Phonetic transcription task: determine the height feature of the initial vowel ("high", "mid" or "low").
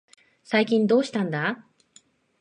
low